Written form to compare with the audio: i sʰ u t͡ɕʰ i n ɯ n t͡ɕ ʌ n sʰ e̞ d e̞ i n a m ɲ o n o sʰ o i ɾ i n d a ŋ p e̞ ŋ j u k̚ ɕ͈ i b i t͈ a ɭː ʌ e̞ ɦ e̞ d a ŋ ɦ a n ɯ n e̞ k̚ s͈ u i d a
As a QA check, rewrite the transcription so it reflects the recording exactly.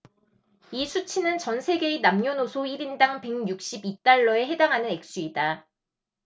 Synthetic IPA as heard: i sʰ u t͡ɕʰ i n ɯ n t͡ɕ ʌ n sʰ e̞ ɡ e̞ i n a m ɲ o n o sʰ o i ɾ i n d a ŋ p e̞ ŋ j u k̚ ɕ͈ i b i t͈ a ɭː ʌ e̞ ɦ e̞ d a ŋ ɦ a n ɯ n e̞ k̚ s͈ u i d a